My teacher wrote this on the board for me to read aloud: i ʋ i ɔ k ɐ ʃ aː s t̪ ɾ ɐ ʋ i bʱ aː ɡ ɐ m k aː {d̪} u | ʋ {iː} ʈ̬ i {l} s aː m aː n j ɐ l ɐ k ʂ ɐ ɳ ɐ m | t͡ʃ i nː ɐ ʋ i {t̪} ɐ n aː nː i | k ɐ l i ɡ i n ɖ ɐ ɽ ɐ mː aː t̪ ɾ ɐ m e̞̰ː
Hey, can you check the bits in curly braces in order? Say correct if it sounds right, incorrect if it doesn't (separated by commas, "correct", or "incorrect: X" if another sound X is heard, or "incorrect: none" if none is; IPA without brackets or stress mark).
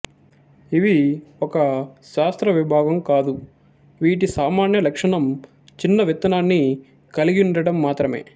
correct, correct, incorrect: none, correct